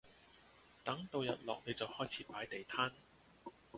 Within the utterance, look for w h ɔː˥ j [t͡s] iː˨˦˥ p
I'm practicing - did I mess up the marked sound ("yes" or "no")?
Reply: yes